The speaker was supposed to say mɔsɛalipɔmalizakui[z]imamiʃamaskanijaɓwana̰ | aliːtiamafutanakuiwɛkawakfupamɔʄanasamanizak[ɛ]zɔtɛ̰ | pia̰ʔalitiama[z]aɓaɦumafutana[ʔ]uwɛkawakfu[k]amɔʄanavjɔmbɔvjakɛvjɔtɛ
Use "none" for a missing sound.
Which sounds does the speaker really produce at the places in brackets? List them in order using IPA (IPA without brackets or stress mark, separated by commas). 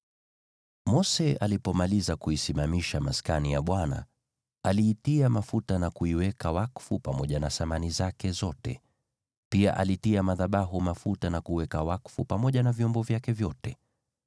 s, ɛ, ð, k, p